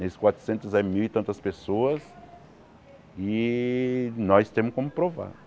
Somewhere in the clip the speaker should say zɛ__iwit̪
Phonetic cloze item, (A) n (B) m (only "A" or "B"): B